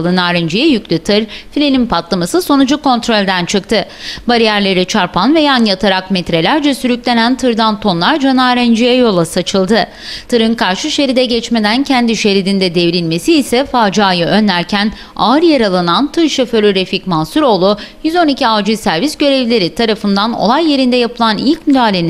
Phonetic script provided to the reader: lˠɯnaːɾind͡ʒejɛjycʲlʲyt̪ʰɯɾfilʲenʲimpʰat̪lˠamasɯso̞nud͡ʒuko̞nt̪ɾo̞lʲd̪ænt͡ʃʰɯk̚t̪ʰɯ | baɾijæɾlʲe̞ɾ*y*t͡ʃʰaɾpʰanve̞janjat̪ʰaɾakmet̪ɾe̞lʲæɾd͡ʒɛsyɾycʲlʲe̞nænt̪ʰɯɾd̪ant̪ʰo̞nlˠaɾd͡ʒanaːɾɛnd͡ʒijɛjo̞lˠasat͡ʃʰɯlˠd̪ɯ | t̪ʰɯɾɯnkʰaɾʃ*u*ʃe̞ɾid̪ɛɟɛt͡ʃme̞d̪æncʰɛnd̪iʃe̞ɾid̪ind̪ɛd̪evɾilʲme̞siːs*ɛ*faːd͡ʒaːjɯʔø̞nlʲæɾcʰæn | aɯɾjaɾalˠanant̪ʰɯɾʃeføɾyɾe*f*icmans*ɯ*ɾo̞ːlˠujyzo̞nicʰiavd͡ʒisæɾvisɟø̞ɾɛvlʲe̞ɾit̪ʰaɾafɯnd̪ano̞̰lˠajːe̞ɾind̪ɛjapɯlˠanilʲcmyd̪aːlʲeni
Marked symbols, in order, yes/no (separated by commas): no, no, yes, yes, no